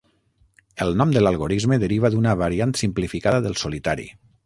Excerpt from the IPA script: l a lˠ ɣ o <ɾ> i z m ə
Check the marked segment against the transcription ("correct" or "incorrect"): correct